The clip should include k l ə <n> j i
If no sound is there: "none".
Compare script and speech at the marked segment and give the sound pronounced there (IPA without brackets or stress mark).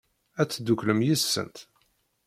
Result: m